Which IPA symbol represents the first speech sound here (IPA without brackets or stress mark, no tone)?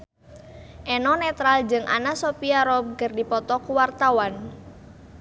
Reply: ʔ